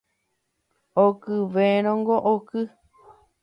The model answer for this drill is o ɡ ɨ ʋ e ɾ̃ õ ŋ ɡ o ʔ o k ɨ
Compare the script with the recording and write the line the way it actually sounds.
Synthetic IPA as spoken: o k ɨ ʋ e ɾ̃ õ ŋ ɡ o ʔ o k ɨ